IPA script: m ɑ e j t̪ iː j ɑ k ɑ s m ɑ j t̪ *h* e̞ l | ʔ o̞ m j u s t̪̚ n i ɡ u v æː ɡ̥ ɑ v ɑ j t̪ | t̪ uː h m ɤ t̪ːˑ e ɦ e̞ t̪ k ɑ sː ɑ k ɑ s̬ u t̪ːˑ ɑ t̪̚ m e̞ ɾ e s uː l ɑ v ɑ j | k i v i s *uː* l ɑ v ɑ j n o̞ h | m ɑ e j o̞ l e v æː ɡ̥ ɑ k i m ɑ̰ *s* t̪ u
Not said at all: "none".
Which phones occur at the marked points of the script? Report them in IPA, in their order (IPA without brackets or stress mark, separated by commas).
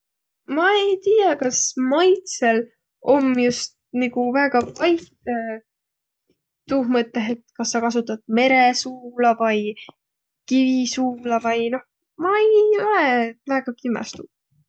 s, uː, s